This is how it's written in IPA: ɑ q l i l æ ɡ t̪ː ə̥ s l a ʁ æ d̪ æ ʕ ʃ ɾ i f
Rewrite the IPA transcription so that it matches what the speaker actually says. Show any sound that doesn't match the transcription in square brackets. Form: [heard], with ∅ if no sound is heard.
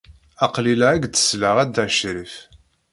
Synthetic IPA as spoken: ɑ q l i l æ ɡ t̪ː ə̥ s l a ʁ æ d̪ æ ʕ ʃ ɾ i f